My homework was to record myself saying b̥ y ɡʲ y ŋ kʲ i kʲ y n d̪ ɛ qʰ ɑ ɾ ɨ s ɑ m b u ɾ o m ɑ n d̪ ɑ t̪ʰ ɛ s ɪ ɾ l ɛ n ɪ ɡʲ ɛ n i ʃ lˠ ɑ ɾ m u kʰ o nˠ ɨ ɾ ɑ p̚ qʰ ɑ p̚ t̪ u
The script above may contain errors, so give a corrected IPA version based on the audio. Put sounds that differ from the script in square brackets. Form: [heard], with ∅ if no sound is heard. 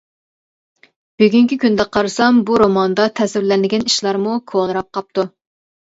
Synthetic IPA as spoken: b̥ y ɡʲ y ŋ kʲ i kʲ y n d̪ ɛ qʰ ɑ ɾ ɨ s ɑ m b u ɾ o m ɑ n d̪ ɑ t̪ʰ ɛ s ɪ ɾ l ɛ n ɪ ɡʲ ɛ n i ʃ lˠ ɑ ɾ m u kʰ o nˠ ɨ ɾ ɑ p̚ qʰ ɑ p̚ t̪ u

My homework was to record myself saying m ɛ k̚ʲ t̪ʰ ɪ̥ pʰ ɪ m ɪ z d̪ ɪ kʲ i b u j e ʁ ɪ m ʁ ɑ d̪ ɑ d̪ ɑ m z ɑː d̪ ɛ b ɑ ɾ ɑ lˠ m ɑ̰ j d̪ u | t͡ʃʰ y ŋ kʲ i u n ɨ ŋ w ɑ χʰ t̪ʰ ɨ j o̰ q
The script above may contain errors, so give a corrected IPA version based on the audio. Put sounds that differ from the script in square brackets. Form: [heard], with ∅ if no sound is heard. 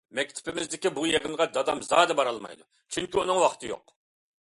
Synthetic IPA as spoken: m ɛ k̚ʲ t̪ʰ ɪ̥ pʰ ɪ m ɪ z d̪ ɪ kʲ i b u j e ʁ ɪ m ʁ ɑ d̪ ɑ d̪ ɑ m z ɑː d̪ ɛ b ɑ ɾ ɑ lˠ m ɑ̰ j d̪ u | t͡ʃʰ y ŋ kʲ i u n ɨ ŋ w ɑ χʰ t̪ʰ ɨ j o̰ q

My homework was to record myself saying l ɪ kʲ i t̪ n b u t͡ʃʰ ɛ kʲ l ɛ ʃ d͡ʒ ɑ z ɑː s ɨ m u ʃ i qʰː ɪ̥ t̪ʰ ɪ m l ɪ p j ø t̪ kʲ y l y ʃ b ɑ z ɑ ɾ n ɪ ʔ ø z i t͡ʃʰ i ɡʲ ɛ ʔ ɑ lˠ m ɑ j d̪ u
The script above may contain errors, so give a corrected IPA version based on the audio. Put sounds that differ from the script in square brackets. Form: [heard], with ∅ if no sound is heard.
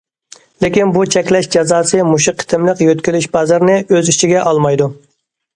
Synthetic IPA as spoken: l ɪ kʲ i [∅] n b u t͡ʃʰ ɛ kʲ l ɛ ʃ d͡ʒ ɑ z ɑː s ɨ m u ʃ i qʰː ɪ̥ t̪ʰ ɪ m l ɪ [q] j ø t̪ kʲ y l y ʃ b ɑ z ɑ ɾ n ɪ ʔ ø z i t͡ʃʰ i ɡʲ ɛ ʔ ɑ lˠ m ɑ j d̪ u

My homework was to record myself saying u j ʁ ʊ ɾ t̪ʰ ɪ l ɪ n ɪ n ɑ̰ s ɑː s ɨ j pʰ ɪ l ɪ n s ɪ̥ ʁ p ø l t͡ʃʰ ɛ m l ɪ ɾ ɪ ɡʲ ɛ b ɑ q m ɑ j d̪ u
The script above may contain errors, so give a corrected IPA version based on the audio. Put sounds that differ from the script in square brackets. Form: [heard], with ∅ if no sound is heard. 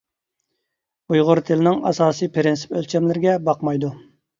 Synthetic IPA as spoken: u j ʁ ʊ ɾ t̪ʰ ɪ l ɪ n ɪ [ŋ] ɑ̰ s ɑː s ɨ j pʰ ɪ [ɾ] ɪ n s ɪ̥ [∅] p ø l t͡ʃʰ ɛ m l ɪ ɾ ɪ ɡʲ ɛ b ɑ q m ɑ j d̪ u

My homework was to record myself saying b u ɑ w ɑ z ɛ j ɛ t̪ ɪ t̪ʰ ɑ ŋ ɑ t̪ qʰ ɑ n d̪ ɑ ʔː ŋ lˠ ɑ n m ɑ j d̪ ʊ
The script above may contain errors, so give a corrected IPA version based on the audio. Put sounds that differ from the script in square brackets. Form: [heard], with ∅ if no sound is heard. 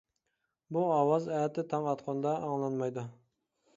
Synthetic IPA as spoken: b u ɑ w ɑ z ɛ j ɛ t̪ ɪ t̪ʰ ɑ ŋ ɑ t̪ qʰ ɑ n d̪ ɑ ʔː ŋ lˠ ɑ n m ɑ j d̪ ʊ

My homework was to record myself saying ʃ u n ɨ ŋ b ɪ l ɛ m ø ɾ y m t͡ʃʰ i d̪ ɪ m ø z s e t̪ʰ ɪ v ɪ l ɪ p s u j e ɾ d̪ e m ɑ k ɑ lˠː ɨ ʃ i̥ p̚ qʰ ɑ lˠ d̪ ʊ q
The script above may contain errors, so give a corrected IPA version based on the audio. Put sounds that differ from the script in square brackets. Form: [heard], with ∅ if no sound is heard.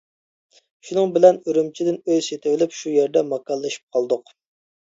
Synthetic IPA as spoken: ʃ u n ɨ ŋ b ɪ l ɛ [n] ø ɾ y m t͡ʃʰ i d̪ ɪ [n] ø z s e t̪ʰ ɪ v ɪ l ɪ p [ʃ] u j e ɾ d̪ [ɛ] m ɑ k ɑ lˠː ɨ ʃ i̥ p̚ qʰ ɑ lˠ d̪ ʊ q

